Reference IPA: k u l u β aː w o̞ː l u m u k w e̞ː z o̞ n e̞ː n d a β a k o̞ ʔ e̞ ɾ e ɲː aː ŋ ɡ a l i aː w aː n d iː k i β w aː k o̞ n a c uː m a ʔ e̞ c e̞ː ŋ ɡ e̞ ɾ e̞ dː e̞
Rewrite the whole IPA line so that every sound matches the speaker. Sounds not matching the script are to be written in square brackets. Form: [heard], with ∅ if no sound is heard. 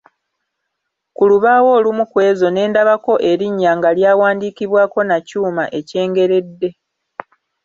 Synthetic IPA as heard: k u l u β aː w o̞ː l u m u k w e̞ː z o̞ n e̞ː n d a β a k o̞ ʔ e̞ ɾ [i] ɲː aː ŋ ɡ a l [j] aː w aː n d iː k i β w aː k o̞ n a c uː m a ʔ e̞ c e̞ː ŋ ɡ e̞ ɾ e̞ dː e̞

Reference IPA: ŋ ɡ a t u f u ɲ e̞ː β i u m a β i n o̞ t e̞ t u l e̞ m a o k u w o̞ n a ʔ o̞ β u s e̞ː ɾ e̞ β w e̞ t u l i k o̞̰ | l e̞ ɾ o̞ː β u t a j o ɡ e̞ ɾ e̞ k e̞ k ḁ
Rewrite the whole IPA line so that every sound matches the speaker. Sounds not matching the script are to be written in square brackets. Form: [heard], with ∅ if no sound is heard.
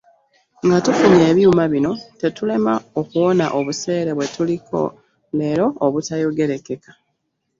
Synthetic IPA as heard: ŋ ɡ a t u f u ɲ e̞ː β [j] u m a β i n o̞ t e̞ t u l e̞ m a o k u w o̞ n a ʔ o̞ β u s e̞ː ɾ e̞ β w e̞ t u l i k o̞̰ | l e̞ ɾ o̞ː β u t a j o ɡ e̞ ɾ e̞ k e̞ k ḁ

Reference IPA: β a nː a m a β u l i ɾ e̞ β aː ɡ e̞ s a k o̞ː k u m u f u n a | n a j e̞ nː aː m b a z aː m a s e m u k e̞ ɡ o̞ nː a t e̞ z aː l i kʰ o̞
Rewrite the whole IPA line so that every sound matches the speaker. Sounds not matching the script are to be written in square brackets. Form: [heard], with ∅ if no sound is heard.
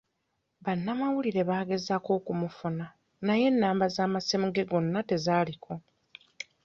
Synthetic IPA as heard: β a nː a m a [w] u l i ɾ e̞ β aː ɡ e̞ [z] a k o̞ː k u m u f u n a | n a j e̞ nː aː m b a z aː m a s e m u [ɡ] e̞ ɡ o̞ nː a t e̞ z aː l i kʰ o̞

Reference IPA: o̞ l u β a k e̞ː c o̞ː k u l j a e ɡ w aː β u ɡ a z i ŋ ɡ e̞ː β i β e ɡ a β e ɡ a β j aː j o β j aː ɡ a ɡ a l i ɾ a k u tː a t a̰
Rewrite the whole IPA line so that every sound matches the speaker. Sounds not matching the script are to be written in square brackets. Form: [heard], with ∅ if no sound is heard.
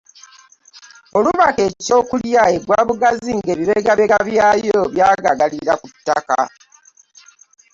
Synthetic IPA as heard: o̞ l u β a k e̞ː c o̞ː k u l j a e ɡ w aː β u ɡ a z i ŋ ɡ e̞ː β i β e ɡ a β e ɡ a β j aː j o β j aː ɡ a ɡ a l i ɾ a k u tː a [k] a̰

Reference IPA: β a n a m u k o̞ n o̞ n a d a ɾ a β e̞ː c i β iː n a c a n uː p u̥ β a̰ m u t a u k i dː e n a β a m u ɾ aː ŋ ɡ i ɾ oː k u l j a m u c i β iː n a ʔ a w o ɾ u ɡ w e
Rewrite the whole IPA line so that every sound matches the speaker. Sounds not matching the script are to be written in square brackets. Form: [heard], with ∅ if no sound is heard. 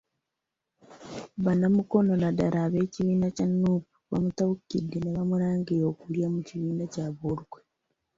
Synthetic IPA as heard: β a n a m u k o̞ n o̞ n a d a ɾ a β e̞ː c i β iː n a c a n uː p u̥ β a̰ m u t a u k i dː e n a β a m u ɾ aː ŋ ɡ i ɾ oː k u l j a m u c i β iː n a [c] a [β] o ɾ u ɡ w e

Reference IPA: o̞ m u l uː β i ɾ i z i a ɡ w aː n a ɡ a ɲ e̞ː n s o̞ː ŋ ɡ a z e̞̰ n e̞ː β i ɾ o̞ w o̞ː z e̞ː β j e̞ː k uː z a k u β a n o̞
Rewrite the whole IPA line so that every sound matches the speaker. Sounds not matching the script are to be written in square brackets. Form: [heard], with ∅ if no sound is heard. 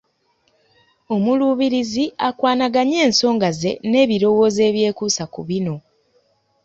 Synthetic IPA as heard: o̞ m u l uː β i ɾ i z i a [k] w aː n a ɡ a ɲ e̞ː n s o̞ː ŋ ɡ a z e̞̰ n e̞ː β i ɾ o̞ w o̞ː z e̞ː β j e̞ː k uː [s] a k u β [i] n o̞

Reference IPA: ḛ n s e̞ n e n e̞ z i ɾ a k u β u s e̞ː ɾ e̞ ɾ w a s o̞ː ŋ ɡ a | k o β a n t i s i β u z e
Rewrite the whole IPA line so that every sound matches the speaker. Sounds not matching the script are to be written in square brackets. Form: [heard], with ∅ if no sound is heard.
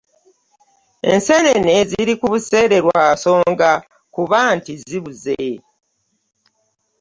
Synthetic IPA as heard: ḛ n s e̞ n e n e̞ z i ɾ [i] k u β u s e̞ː ɾ e̞ ɾ w a s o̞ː ŋ ɡ a | k [u] β a n t i [z] i β u z e

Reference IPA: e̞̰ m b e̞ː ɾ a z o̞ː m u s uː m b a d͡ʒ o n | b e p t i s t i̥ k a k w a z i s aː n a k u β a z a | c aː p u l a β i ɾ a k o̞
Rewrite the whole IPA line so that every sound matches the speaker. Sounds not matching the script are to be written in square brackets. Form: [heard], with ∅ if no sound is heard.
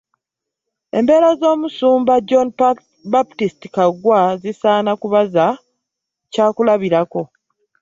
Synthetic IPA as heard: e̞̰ m b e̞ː ɾ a z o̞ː m u s uː m b a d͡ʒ o n | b [a] p t i s t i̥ k a [ɡ] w a z i s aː n a k u β a z a | c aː [k] u l a β i ɾ a k o̞

